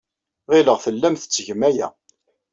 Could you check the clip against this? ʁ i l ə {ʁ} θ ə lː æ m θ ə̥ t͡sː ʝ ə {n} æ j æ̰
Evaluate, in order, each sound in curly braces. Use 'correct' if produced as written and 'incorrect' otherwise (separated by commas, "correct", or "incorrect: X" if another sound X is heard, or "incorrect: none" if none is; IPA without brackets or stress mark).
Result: correct, incorrect: m